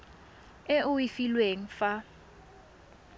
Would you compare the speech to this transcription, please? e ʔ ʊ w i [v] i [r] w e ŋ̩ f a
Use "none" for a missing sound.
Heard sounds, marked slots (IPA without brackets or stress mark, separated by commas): f, l